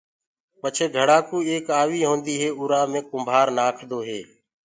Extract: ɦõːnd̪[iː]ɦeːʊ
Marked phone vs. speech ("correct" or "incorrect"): correct